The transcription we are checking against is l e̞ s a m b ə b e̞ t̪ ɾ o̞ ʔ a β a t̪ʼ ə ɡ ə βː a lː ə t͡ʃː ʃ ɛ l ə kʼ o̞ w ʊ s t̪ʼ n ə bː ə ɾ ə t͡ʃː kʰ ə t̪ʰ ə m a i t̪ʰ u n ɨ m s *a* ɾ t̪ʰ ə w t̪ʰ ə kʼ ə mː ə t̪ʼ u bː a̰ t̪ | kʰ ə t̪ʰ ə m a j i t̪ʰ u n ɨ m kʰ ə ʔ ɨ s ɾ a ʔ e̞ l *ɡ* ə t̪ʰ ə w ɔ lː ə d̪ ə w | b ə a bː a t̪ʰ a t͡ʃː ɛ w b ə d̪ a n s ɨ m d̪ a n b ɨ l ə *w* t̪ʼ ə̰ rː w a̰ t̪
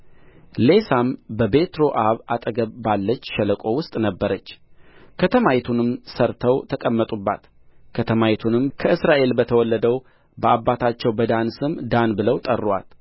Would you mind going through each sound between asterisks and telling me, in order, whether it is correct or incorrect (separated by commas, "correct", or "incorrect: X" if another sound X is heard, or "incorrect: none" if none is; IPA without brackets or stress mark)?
incorrect: ə, incorrect: b, correct